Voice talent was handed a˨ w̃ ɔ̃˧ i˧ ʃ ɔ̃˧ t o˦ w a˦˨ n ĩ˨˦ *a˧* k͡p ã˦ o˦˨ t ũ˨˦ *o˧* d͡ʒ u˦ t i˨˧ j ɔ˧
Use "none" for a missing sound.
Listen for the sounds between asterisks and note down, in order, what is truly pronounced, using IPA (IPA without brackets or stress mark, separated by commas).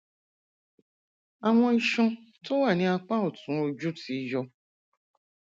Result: a˧, o˧